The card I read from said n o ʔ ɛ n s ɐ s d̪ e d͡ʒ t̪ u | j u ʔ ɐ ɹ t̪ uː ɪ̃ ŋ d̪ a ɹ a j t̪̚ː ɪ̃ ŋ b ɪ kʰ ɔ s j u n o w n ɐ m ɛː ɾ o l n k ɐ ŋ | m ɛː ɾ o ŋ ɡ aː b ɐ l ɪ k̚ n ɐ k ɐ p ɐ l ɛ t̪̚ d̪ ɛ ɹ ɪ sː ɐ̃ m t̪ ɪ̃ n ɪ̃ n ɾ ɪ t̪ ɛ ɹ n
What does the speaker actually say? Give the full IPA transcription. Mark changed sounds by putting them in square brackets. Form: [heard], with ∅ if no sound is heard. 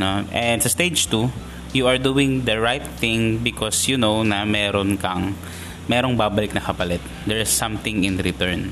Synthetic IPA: n o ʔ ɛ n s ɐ s [t̪] e d͡ʒ t̪ u | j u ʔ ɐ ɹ [d̪] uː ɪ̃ ŋ d̪ [ɐ] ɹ a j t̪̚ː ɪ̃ ŋ b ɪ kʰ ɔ s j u n o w n ɐ m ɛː ɾ o [∅] n k ɐ ŋ | m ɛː ɾ o ŋ [b] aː b ɐ l ɪ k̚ n ɐ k ɐ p ɐ l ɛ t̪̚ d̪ ɛ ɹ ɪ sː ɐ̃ m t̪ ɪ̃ [ŋ] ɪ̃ n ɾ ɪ t̪ ɛ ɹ n